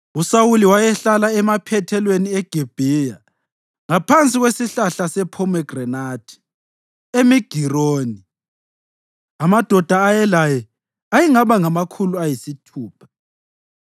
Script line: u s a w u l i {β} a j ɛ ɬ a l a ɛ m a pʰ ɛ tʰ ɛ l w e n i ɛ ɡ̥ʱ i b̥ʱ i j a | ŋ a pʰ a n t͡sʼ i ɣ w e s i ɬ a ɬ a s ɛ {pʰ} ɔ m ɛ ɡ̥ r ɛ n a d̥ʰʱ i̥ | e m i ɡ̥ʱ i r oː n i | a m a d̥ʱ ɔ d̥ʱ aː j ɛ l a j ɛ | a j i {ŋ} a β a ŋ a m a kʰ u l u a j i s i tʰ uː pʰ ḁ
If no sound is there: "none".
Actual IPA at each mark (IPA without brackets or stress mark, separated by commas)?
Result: w, pʰ, ŋ